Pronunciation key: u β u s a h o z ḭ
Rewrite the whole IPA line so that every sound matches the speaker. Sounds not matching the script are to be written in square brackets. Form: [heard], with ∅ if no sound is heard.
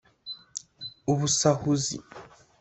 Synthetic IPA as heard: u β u s a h [u] z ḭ